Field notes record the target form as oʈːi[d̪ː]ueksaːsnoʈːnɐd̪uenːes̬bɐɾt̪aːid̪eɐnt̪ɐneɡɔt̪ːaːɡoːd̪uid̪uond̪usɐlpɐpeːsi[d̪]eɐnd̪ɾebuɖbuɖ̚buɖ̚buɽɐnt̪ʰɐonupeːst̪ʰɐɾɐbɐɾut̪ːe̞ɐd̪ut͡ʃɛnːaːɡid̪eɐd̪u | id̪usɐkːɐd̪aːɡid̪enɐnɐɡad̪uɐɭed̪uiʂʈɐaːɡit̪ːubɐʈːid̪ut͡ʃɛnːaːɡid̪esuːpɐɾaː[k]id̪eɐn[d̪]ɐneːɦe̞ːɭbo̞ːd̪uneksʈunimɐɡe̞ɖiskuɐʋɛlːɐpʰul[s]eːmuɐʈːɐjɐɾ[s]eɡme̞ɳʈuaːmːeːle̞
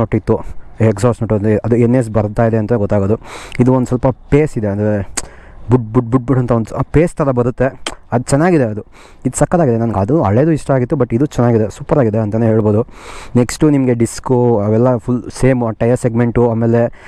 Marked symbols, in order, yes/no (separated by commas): no, yes, no, no, yes, yes